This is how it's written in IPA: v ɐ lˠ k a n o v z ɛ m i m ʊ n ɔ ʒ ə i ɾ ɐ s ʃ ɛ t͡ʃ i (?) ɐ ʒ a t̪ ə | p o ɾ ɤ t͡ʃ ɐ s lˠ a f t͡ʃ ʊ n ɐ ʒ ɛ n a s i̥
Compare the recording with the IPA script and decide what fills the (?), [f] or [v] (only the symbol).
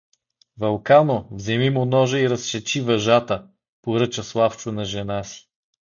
v